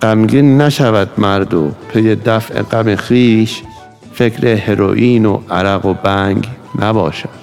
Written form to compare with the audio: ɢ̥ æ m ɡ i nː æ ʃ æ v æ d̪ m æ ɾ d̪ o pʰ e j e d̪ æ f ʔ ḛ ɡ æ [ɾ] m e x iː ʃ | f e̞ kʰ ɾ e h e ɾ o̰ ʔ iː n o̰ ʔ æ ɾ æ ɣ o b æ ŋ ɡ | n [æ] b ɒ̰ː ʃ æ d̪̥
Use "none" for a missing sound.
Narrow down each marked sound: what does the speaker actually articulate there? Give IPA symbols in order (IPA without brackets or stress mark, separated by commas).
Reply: none, æ